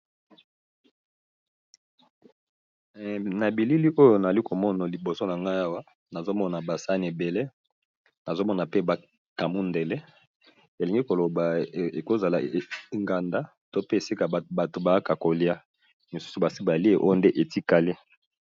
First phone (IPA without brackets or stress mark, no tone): n